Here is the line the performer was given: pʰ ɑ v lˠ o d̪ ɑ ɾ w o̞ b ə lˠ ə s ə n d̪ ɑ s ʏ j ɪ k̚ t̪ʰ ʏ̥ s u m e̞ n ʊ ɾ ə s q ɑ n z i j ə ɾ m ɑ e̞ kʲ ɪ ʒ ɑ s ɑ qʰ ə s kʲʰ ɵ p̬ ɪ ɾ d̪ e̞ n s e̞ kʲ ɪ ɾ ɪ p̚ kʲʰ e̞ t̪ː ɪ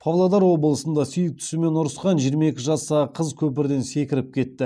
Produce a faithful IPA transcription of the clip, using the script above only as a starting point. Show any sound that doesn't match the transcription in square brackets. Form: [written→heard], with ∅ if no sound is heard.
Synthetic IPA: pʰ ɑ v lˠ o d̪ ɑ ɾ w o̞ b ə lˠ ə s ə n d̪ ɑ s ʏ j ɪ k̚ t̪ʰ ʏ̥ s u m e̞ n ʊ ɾ ə s q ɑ n [z→ʒ] i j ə ɾ m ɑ e̞ kʲ ɪ ʒ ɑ s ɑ qʰ ə [s→z] kʲʰ ɵ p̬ ɪ ɾ d̪ e̞ n s e̞ kʲ ɪ ɾ ɪ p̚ kʲʰ e̞ t̪ː ɪ